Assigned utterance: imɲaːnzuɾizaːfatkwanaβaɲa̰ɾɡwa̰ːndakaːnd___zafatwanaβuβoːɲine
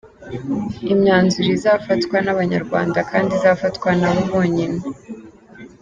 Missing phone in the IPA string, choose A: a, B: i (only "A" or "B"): B